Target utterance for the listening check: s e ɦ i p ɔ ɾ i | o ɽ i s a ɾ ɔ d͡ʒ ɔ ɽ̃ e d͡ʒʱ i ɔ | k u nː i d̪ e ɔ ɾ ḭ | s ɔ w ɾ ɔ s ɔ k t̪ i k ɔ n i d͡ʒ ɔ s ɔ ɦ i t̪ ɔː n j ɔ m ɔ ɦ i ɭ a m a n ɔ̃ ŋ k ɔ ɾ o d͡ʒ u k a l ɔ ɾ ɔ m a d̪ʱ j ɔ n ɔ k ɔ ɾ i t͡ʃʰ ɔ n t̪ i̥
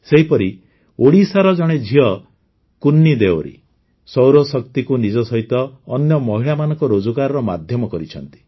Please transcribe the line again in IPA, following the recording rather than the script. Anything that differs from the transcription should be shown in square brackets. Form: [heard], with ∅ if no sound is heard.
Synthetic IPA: s e ɦ i p ɔ ɾ i | o ɽ i s a ɾ ɔ d͡ʒ ɔ ɽ̃ e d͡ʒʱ i ɔ | k u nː i d̪ e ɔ ɾ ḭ | s ɔ w ɾ ɔ s ɔ k t̪ i k [u] n i d͡ʒ ɔ s ɔ ɦ i t̪ ɔː n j ɔ m ɔ ɦ i ɭ a m a n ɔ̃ ŋ k ɔ ɾ o d͡ʒ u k a [ɾ] ɔ ɾ ɔ m a d̪ʱ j ɔ [m] ɔ k ɔ ɾ i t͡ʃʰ ɔ n t̪ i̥

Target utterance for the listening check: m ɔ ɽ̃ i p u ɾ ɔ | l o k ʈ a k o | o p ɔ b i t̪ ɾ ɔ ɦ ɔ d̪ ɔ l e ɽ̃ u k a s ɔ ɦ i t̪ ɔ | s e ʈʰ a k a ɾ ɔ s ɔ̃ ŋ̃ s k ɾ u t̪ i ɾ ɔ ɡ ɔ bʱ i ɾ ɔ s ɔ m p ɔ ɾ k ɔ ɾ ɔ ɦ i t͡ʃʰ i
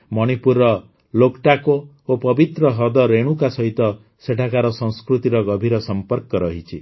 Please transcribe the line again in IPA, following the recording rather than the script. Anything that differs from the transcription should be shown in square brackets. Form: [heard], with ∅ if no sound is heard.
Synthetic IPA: m ɔ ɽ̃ i p u ɾ ɔ | l o k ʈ a k o | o p ɔ b i t̪ ɾ ɔ ɦ ɔ d̪ ɔ [ɾ] e ɽ̃ u k a s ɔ ɦ i t̪ ɔ | s e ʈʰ a k a ɾ ɔ s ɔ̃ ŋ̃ s k ɾ u t̪ i ɾ ɔ ɡ ɔ bʱ i ɾ ɔ s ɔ m p ɔ ɾ k ɔ ɾ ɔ ɦ i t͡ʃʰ i

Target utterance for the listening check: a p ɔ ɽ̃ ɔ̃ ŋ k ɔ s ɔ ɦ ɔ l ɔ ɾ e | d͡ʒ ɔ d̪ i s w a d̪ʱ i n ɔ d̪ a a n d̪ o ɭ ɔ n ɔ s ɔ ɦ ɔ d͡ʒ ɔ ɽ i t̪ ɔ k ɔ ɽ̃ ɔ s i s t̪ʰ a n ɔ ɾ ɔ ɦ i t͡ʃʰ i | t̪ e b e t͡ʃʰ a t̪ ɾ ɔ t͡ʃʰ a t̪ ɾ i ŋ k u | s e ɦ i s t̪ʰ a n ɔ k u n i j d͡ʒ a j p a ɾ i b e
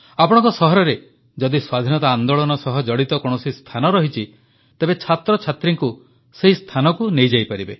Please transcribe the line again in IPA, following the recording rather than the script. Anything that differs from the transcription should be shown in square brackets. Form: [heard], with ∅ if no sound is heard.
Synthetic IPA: a p ɔ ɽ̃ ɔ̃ ŋ k ɔ s ɔ ɦ ɔ [ɾ] ɔ ɾ e | d͡ʒ ɔ d̪ i s w a d̪ʱ i n ɔ [t̪] a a n d̪ o ɭ ɔ n ɔ s ɔ ɦ ɔ d͡ʒ ɔ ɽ i t̪ ɔ k ɔ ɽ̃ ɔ s i s t̪ʰ a n ɔ ɾ ɔ ɦ i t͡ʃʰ i | t̪ e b e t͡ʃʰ a t̪ ɾ ɔ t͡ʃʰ a t̪ ɾ i ŋ k u | s e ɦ i s t̪ʰ a n ɔ k u n [e] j d͡ʒ a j p a ɾ i b e

